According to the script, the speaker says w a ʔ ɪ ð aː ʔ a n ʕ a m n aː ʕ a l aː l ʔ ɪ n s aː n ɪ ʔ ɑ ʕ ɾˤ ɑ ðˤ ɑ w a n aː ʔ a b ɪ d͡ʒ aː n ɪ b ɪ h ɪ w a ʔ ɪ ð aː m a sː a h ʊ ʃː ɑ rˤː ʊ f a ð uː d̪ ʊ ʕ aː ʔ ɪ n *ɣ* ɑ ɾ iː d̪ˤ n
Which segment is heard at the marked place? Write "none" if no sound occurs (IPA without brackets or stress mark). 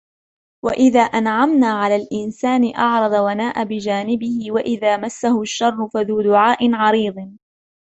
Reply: ʕ